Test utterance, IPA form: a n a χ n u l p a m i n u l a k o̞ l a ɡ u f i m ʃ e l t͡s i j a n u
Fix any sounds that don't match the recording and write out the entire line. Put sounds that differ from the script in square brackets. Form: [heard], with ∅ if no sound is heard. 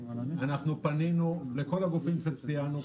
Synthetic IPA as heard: a n a χ n u [∅] p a [n] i n u l [e] k o̞ l a ɡ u f i m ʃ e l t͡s i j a n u